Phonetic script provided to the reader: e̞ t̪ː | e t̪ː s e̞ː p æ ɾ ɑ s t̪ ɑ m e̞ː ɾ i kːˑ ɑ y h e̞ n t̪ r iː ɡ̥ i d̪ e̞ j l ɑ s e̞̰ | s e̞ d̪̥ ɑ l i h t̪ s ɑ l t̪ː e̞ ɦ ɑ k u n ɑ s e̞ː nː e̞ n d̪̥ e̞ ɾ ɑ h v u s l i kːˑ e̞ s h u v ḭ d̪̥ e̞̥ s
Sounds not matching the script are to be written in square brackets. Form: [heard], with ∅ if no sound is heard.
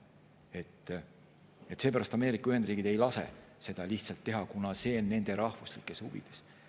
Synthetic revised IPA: e̞ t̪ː | e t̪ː s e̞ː p æ ɾ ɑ s t̪ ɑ m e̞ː ɾ i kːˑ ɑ y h e̞ n [d̪] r iː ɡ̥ i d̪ e̞ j l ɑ s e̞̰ | s e̞ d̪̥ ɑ l i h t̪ s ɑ l t̪ː e̞ ɦ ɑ k u n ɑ s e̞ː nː e̞ n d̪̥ e̞ ɾ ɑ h v u s l i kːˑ e̞ s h u v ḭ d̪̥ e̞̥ s